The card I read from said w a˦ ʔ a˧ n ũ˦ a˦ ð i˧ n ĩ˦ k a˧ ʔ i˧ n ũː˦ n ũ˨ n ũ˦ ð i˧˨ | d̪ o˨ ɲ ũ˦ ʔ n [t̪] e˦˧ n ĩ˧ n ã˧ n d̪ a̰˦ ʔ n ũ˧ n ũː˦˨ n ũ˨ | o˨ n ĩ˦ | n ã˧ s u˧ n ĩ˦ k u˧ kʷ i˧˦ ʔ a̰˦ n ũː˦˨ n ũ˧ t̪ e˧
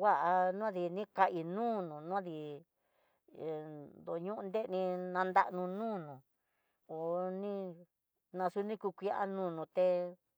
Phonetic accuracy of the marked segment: incorrect: d̪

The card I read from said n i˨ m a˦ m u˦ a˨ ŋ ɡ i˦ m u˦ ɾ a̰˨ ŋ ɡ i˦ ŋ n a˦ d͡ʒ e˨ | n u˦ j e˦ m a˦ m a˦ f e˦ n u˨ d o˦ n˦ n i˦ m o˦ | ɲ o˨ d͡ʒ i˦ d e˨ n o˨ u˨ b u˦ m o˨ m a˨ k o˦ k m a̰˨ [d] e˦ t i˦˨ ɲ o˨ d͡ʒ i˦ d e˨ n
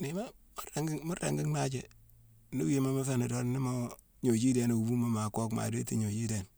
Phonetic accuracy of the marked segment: correct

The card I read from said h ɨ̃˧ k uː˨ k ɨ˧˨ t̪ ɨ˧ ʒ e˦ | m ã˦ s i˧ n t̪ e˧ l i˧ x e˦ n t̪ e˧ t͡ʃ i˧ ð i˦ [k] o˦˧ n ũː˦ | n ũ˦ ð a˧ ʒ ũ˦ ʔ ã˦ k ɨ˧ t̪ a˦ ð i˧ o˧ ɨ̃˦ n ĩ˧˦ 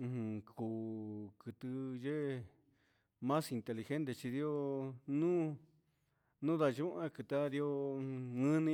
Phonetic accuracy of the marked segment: incorrect: none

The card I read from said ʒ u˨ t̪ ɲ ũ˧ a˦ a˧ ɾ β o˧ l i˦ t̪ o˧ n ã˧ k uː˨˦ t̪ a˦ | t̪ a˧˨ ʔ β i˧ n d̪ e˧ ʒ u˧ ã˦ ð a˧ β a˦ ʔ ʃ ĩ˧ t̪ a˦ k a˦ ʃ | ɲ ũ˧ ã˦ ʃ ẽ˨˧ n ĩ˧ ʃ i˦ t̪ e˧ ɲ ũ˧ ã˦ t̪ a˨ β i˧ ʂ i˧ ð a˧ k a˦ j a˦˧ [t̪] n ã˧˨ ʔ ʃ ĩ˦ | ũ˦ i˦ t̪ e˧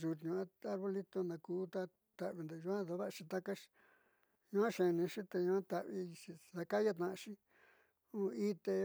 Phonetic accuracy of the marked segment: correct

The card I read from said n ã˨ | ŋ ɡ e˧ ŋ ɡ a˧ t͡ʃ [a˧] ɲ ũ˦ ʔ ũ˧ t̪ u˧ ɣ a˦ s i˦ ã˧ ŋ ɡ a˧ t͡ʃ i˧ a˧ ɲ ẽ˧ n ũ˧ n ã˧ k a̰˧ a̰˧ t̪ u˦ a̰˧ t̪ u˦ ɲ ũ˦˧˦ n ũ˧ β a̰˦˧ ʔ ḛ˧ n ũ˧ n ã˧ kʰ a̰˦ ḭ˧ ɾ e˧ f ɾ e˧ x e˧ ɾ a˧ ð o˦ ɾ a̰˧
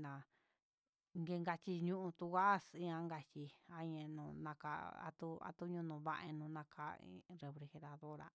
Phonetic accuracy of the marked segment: incorrect: i˧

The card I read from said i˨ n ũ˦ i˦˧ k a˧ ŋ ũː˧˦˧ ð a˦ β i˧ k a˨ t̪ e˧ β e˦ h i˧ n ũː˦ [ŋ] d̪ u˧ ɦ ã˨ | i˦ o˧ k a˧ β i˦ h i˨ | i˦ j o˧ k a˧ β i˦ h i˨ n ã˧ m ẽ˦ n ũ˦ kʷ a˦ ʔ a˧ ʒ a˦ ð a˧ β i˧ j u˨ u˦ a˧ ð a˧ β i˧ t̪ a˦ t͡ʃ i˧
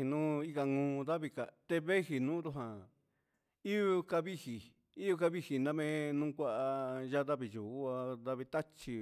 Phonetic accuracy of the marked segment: incorrect: none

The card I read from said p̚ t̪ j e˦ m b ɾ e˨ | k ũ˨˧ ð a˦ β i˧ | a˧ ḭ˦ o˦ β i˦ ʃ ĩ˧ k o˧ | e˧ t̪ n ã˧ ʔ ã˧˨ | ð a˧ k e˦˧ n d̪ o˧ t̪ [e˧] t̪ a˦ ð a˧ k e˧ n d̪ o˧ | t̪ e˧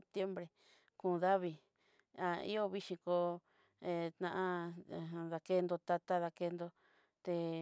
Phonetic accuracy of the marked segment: incorrect: a˧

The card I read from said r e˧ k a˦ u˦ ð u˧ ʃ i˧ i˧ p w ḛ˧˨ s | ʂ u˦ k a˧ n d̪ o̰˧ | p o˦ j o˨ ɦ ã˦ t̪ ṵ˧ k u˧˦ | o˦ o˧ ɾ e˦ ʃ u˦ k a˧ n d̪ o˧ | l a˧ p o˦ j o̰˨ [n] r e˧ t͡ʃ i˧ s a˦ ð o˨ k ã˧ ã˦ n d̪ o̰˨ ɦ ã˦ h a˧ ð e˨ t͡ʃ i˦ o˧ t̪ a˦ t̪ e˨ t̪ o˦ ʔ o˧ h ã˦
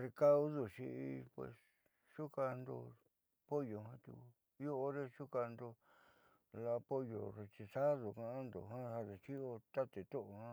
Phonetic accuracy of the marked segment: incorrect: none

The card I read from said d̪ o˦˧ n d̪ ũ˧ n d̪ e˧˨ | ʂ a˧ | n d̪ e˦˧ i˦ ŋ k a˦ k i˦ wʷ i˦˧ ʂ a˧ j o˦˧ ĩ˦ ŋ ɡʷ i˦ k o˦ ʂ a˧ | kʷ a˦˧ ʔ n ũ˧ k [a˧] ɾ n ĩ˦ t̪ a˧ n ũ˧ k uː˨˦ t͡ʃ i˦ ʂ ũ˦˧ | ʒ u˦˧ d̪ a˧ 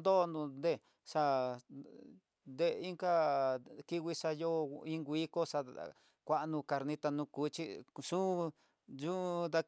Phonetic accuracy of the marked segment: correct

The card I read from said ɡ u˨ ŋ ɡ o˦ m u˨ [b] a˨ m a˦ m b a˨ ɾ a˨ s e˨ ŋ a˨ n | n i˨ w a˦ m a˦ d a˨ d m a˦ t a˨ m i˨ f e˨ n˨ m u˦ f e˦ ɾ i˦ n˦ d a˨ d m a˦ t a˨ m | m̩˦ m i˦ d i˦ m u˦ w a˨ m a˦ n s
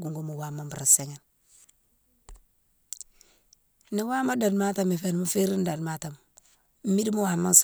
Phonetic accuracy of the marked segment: incorrect: w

